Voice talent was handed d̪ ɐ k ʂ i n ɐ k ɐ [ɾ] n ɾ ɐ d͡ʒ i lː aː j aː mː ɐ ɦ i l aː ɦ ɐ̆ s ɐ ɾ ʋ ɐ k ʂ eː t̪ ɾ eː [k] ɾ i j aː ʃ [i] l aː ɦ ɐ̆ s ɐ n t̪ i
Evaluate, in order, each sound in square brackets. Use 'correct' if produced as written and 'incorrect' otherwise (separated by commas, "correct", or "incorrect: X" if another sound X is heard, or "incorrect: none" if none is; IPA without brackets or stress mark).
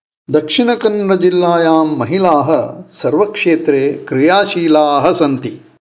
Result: incorrect: none, correct, incorrect: iː